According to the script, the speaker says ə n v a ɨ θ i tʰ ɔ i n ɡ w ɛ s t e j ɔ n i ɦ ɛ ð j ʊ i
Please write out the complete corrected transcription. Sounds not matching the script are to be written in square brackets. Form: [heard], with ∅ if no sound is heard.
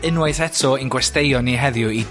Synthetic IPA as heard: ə n [w] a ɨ θ [ɛ] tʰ ɔ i n ɡ w ɛ s t e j ɔ n i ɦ ɛ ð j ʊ i

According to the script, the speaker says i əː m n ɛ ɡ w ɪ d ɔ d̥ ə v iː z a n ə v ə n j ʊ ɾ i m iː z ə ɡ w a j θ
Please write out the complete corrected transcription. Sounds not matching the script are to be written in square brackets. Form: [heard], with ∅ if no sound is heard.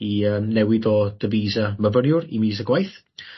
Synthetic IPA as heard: i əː m n ɛ [∅] w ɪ d ɔ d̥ ə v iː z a [m] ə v ə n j ʊ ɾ i m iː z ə ɡ w a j θ

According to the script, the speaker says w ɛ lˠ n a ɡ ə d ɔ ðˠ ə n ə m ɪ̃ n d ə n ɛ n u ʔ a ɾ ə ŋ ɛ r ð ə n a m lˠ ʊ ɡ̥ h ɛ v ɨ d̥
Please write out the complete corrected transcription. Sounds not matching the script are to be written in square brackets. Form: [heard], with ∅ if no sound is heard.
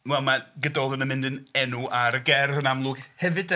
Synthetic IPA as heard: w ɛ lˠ [m] a ɡ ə d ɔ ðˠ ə n ə m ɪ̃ n d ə n ɛ n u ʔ a ɾ ə [ɡ] ɛ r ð ə n a m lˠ ʊ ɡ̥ h ɛ v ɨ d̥

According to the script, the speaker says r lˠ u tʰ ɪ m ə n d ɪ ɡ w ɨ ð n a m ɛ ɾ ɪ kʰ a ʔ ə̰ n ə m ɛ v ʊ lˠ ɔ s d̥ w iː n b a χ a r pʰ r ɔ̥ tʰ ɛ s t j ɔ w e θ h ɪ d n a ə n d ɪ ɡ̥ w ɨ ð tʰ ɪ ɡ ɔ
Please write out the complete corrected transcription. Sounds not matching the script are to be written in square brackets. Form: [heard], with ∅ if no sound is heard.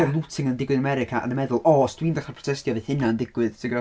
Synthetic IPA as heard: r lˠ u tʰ ɪ [ŋ] ə n d ɪ ɡ w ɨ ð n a m ɛ ɾ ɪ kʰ a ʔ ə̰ n ə m ɛ [ð] ʊ lˠ ɔ s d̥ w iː n [d] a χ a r pʰ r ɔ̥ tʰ ɛ s t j ɔ [v] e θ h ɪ [∅] n a ə n d ɪ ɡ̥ w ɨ ð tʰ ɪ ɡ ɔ

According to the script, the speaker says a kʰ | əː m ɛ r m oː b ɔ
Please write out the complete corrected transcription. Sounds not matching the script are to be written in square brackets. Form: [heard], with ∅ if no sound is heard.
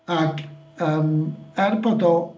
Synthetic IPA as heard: a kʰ | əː m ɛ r [b] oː [d] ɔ

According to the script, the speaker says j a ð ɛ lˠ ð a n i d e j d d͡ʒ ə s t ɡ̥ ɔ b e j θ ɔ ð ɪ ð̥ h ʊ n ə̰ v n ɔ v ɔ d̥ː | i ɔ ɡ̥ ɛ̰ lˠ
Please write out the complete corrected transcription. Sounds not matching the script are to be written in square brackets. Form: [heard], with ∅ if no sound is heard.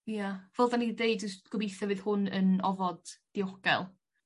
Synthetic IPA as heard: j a [v] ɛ lˠ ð a n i d e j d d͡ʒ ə s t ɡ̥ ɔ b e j θ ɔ [v] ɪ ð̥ h ʊ n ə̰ [∅] n ɔ v ɔ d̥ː | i ɔ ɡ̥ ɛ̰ lˠ

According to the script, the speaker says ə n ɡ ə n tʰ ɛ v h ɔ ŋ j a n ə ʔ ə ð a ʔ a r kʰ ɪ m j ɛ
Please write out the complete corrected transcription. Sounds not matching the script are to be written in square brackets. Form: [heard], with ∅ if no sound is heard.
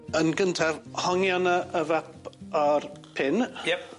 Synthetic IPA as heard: ə n ɡ ə n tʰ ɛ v h ɔ ŋ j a n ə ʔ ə [v] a [p] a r [pʰ] ɪ [n] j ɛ

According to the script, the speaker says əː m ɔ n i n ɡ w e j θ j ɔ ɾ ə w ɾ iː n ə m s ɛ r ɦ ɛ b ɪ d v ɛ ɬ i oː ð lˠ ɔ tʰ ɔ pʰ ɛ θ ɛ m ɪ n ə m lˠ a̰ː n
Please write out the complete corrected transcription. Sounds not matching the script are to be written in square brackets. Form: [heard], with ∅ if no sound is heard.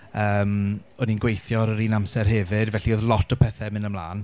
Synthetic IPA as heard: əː m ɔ n i n ɡ w e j θ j ɔ ɾ ə [∅] ɾ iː n [a] m s ɛ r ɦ ɛ [v] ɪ d v ɛ ɬ i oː ð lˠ ɔ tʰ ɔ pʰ ɛ θ ɛ m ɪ n ə m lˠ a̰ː n

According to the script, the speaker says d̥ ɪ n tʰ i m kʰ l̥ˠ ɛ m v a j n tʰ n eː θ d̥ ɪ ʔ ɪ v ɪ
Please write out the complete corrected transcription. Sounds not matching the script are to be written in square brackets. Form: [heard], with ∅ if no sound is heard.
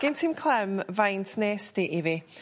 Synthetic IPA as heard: [ɡ̥] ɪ n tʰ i m kʰ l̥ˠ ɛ m v a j n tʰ n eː [s] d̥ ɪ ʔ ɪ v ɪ

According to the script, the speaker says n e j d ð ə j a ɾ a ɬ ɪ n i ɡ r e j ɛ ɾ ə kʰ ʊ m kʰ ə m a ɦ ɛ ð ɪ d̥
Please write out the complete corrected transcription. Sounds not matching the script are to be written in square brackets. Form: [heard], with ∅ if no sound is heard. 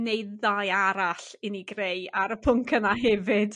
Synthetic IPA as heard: n e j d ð [a] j a ɾ a ɬ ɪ n i ɡ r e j [a] ɾ ə [pʰ] ʊ [ŋ] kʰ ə [n] a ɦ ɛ [v] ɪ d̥

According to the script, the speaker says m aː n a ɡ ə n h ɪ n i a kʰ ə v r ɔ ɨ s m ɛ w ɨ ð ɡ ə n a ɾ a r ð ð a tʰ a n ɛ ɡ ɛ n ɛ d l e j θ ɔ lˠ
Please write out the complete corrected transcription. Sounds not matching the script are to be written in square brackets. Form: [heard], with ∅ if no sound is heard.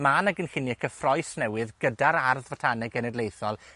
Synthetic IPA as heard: m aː n a ɡ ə n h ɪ n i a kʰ ə [f] r ɔ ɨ s [n] ɛ w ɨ ð ɡ ə [d] a ɾ a r ð [v] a tʰ a n ɛ ɡ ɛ n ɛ d l e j θ ɔ lˠ

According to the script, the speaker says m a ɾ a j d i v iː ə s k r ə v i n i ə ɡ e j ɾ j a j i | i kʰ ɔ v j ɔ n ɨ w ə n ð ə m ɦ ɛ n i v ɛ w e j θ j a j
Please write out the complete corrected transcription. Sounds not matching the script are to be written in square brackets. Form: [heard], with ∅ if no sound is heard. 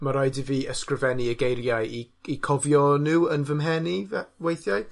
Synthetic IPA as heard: m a ɾ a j d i v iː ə s k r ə v [ɛ] n i ə ɡ e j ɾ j a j i | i kʰ ɔ v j ɔ n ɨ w ə n [v] ə m ɦ ɛ n i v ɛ w e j θ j a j

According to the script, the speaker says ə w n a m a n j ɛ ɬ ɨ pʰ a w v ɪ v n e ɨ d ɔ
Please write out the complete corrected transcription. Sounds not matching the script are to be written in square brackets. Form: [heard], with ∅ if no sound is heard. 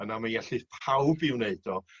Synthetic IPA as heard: ə [∅] n a m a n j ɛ ɬ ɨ pʰ a w [b] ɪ [w] n e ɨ d ɔ

